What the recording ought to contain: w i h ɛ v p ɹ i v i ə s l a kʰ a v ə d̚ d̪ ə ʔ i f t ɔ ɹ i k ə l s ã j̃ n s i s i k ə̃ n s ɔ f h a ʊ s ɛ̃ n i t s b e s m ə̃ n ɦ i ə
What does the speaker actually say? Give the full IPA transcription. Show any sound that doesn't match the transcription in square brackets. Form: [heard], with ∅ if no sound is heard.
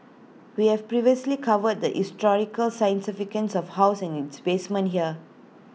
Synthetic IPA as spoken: w i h ɛ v p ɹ i v i ə s l [i] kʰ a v ə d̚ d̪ ə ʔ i [s] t ɔ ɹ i k ə l s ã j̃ n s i [f] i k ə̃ n s ɔ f h a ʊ s ɛ̃ n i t s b e s m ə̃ n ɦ i ə

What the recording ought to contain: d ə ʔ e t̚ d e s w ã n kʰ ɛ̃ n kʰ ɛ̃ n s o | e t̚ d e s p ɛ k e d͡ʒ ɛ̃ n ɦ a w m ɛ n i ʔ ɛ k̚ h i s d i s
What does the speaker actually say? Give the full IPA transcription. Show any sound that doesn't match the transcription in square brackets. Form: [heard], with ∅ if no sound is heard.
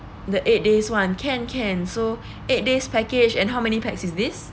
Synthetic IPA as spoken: d ə ʔ e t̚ d e s w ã n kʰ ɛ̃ n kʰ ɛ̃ n s o | e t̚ d e s p ɛ k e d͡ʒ ɛ̃ n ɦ a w m ɛ n i [p] ɛ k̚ [s] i s d i s

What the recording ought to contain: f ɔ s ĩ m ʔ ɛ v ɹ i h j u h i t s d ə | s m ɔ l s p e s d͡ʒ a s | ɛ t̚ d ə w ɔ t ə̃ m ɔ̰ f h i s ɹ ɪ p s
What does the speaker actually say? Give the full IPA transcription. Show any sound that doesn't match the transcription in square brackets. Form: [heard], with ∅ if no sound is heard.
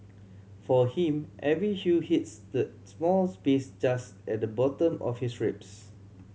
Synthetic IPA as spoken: f ɔ [h] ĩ m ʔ ɛ v ɹ i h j u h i t s d ə | s m ɔ l s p e s d͡ʒ a s | ɛ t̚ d ə [b] ɔ t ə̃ m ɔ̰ f h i s ɹ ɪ p s

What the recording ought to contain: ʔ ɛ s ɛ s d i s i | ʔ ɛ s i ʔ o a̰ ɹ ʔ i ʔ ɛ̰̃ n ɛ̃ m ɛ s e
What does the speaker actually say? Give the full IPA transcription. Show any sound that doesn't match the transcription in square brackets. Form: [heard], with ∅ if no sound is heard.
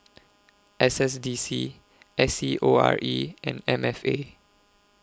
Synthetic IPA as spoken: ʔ ɛ s ɛ s d i s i | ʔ ɛ s i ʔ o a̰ ɹ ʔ i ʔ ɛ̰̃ n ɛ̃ m ɛ [f] e

